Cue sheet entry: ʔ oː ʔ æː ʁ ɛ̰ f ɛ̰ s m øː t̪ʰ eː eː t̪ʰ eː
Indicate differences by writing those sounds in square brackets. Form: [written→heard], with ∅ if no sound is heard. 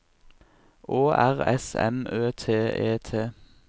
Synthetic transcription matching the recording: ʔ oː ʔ [æː→æ] ʁ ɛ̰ [f→s] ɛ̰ [s→∅] m øː t̪ʰ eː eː t̪ʰ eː

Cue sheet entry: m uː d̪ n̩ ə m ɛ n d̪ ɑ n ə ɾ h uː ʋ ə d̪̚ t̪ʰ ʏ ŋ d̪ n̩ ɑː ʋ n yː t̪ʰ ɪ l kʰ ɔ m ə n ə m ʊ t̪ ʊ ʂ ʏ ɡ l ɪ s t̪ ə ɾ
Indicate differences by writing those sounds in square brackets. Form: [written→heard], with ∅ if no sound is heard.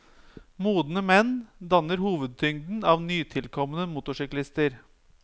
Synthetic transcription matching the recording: m uː d̪ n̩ ə m ɛ n d̪ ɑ n ə ɾ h uː ʋ ə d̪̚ t̪ʰ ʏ ŋ d̪ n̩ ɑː ʋ n yː t̪ʰ ɪ l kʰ ɔ m ə n ə m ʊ t̪ ʊ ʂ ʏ [ɡ→k] l ɪ s t̪ ə ɾ

